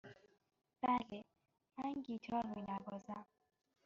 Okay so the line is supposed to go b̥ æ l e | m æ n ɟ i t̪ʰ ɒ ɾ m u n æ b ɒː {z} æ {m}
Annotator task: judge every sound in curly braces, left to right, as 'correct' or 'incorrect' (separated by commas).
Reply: correct, correct